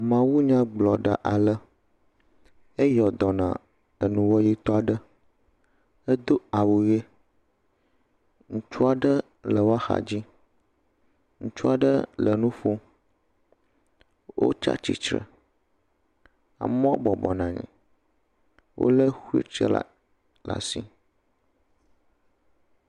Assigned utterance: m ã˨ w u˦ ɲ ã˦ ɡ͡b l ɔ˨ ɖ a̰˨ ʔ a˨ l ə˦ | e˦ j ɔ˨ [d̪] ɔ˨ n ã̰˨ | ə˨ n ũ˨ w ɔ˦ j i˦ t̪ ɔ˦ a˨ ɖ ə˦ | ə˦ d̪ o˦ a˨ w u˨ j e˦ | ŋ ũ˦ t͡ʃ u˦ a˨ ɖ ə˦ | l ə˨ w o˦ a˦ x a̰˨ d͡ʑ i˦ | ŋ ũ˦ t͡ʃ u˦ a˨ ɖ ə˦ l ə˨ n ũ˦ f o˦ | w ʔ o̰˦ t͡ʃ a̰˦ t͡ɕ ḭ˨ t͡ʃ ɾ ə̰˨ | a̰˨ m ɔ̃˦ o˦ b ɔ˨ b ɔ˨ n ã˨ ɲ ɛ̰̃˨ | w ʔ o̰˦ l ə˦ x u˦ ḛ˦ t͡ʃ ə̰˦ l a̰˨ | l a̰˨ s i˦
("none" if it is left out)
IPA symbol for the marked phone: d̪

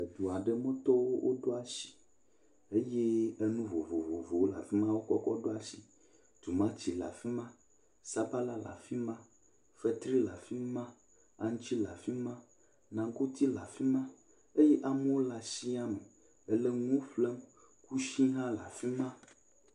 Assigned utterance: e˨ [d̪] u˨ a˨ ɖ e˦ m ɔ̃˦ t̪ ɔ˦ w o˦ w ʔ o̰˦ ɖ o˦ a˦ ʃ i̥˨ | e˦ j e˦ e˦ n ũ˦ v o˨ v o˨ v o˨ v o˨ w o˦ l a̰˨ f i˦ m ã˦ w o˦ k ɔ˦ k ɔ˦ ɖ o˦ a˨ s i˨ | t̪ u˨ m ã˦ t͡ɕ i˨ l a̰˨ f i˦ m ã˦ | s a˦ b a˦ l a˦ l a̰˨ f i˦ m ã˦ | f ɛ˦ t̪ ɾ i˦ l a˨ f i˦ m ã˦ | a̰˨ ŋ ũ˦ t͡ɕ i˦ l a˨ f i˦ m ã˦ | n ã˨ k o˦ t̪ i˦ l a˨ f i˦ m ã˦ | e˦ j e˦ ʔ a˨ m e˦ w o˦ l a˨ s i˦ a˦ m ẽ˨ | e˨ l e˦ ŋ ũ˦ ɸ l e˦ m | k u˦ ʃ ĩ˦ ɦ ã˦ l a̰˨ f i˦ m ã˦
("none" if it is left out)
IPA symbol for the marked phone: d̪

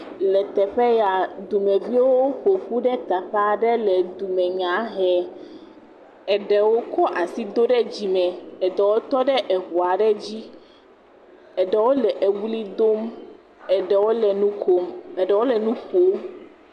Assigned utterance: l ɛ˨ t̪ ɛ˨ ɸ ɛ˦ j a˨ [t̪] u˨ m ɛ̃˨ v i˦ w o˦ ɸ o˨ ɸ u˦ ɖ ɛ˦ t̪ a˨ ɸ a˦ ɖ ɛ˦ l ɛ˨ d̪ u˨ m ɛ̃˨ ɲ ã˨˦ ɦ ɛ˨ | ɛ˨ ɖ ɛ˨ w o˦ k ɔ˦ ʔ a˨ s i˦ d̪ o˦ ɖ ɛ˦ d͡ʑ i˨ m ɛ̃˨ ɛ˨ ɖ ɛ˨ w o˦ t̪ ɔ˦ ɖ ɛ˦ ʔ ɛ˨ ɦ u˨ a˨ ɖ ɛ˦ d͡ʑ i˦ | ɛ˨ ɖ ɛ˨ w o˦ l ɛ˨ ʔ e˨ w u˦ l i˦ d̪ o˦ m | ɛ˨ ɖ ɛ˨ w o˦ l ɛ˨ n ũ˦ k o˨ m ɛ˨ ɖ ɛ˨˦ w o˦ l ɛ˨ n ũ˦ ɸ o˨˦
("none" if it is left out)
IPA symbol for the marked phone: d̪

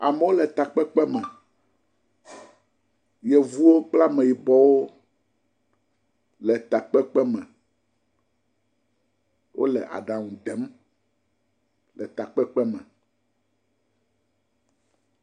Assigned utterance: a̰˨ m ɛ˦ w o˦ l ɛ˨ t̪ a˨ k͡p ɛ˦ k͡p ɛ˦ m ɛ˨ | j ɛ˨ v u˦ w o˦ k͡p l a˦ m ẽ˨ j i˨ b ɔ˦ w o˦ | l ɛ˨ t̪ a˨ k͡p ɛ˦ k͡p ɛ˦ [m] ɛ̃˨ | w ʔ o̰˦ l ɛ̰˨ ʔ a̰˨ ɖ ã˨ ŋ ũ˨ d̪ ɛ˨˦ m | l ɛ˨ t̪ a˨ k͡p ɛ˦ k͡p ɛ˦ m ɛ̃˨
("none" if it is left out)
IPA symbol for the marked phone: m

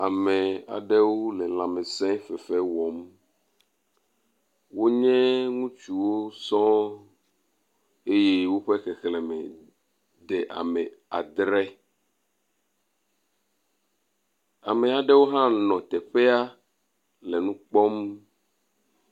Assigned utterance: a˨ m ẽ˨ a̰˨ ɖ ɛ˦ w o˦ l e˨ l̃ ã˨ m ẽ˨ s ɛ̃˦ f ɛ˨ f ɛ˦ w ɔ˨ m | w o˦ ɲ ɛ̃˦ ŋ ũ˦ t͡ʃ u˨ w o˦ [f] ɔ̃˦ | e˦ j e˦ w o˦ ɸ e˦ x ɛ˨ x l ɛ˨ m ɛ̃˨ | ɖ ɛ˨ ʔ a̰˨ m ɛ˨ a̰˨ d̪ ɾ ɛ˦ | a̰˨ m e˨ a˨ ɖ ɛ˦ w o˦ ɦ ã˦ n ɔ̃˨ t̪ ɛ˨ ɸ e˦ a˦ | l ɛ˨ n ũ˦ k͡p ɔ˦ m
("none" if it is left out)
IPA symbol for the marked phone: s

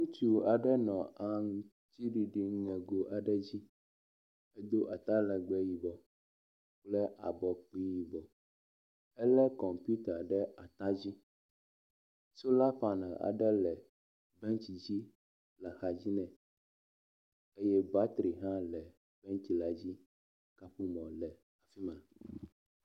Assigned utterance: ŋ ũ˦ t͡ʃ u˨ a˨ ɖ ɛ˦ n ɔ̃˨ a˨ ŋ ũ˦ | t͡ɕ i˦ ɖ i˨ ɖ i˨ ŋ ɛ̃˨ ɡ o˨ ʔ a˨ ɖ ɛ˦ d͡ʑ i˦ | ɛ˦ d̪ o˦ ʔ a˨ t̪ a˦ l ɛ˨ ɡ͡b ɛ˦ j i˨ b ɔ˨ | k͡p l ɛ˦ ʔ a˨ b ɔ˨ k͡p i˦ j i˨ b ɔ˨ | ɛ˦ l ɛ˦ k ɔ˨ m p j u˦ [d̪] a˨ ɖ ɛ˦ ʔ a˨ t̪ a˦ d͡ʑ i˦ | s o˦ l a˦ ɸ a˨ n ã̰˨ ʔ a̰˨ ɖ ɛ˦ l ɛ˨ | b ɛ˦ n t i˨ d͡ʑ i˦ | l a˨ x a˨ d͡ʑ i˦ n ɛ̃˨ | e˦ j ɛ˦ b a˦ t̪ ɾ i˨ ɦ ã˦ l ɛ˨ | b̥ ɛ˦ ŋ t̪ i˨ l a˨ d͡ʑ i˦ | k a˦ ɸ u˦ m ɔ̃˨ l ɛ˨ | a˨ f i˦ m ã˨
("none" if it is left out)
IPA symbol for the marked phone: t̪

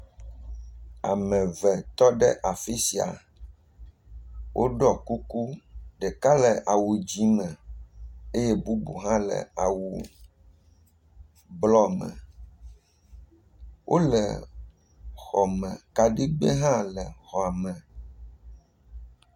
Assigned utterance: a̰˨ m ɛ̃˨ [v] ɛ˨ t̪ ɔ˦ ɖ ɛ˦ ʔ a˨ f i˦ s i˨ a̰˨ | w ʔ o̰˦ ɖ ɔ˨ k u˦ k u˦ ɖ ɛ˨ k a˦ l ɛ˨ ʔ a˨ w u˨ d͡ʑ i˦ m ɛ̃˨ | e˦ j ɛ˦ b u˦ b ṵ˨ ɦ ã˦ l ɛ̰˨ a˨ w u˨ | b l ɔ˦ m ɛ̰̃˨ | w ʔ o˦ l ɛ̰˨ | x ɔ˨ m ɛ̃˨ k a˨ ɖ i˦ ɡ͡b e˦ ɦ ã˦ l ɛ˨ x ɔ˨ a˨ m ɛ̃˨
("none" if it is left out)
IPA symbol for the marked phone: v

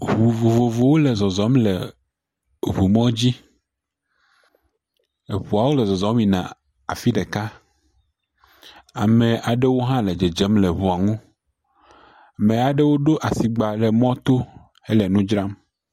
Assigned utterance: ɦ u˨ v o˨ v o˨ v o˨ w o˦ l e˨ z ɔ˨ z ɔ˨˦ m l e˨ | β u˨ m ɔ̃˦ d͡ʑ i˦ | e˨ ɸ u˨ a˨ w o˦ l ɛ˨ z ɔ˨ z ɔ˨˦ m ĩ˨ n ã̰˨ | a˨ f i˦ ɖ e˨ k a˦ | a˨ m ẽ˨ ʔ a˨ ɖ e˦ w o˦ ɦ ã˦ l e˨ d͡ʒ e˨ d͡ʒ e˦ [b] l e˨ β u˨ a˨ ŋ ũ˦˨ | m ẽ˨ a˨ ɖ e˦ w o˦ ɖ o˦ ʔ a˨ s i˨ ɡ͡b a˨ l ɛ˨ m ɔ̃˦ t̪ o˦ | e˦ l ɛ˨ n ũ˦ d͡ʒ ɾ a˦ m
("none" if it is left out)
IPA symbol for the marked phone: m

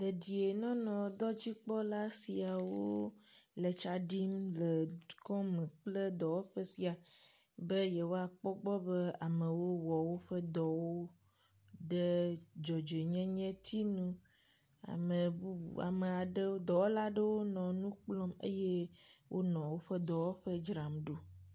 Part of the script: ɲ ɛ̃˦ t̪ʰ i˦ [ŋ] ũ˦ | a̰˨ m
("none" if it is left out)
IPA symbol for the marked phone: n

